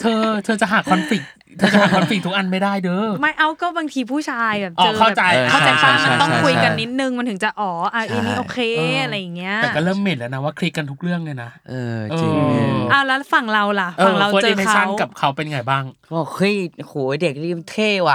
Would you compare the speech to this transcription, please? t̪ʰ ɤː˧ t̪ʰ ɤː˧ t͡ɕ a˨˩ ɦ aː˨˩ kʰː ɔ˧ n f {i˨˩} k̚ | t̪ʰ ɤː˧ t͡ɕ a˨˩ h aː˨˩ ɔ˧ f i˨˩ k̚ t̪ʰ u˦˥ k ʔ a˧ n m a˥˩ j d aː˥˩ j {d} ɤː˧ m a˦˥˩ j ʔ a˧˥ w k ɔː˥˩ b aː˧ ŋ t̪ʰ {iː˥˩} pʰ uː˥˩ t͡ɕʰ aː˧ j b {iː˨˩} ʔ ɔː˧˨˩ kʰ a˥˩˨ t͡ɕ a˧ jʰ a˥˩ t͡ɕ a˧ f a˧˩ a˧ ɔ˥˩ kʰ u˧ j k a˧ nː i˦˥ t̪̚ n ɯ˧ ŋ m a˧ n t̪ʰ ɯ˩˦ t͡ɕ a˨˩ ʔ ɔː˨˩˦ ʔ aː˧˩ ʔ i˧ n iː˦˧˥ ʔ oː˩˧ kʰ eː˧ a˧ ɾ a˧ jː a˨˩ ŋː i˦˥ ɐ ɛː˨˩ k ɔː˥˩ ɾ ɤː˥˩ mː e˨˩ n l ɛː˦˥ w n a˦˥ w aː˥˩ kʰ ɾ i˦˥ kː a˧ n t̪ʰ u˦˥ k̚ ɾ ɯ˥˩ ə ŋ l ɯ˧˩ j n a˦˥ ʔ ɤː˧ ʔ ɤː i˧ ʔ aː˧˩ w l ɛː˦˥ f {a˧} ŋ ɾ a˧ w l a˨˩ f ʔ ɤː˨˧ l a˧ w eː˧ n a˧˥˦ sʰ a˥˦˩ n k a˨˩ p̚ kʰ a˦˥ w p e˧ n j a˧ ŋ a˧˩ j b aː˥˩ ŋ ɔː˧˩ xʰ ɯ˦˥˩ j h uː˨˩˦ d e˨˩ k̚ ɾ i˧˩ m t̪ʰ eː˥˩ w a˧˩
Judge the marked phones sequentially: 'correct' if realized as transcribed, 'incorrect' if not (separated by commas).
correct, correct, incorrect, incorrect, incorrect